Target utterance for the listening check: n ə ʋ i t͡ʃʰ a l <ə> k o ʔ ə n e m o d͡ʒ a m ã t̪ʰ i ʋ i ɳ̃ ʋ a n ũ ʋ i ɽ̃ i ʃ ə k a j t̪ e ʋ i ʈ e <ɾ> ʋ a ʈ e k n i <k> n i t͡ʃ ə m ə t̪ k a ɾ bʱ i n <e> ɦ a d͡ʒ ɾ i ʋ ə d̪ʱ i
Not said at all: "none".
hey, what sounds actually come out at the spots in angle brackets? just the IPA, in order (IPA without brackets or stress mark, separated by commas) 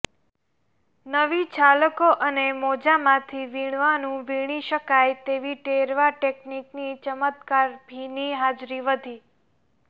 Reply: ə, ɾ, k, i